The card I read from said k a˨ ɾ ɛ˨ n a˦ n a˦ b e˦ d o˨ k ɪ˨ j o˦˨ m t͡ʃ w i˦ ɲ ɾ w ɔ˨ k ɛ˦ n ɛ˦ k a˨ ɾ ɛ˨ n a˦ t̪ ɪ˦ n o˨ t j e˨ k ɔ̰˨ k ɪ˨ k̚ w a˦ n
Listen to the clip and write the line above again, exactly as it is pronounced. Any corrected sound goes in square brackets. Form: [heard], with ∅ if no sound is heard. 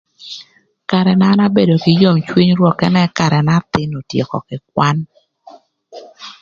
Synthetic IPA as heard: k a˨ ɾ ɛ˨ n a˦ n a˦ b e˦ d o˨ k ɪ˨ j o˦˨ m t͡ʃ w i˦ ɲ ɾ w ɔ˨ k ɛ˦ n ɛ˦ k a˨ ɾ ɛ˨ n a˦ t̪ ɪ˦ n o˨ t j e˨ k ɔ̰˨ k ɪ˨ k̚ w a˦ n